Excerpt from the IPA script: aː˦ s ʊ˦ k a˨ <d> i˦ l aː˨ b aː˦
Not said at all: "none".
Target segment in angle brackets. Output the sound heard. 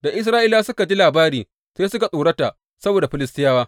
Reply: d͡ʒ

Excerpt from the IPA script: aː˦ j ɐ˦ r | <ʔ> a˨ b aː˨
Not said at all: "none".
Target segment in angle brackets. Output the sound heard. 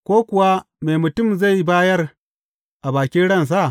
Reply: ʔ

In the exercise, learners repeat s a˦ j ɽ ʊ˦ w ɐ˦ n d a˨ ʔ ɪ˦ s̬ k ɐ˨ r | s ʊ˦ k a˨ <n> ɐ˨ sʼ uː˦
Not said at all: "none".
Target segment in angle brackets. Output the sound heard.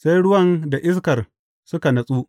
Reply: n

